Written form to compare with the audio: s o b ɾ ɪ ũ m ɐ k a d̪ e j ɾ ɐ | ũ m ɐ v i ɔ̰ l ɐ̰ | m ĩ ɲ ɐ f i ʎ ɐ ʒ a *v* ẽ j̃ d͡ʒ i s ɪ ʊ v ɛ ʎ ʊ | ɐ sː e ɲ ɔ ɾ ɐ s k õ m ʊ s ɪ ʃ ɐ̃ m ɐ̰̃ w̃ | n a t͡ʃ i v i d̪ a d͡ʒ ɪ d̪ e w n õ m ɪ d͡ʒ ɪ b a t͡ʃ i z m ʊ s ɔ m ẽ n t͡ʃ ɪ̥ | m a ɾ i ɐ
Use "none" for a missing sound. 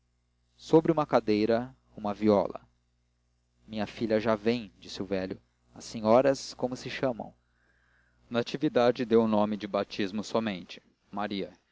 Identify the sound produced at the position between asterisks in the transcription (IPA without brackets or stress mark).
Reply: v